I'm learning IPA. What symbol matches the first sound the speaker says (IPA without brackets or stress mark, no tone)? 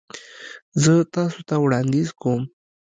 z